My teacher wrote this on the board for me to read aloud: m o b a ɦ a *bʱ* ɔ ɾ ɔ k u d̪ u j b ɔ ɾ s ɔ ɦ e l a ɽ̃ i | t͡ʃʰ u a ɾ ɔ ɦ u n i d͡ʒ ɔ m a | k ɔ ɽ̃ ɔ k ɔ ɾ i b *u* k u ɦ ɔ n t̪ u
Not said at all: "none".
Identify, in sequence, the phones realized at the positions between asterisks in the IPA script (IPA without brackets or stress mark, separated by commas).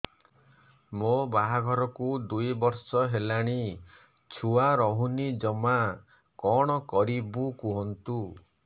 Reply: ɡʱ, u